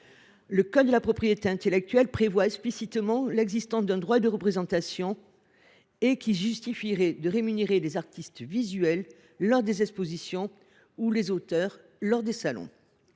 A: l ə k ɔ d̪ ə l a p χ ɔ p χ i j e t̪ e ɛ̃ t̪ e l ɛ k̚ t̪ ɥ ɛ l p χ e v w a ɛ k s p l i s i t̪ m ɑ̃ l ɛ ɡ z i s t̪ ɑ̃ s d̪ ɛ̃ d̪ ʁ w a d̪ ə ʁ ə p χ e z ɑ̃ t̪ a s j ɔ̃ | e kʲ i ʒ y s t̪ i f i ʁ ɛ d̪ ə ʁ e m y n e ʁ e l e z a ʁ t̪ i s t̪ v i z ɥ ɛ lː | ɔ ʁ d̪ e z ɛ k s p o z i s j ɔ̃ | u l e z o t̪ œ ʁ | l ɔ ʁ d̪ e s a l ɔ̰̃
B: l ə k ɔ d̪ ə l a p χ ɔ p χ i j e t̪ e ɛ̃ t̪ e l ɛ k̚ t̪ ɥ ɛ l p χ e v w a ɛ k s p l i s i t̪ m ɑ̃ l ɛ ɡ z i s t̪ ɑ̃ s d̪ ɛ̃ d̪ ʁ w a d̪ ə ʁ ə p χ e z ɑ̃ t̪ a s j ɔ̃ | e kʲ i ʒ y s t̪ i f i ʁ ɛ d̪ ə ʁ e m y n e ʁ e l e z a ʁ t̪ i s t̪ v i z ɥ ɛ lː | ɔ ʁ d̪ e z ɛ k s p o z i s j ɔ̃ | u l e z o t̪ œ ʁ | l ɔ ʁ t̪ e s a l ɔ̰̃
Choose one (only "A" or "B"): A